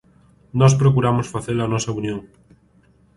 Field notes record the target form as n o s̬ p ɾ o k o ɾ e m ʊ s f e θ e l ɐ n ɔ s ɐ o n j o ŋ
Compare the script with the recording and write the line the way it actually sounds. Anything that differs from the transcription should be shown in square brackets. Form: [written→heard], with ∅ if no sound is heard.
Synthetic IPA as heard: n [o→ɔ] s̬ p ɾ o k [o→u] ɾ [e→a] m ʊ s f [e→a] θ e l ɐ n ɔ s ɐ [o→u] n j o ŋ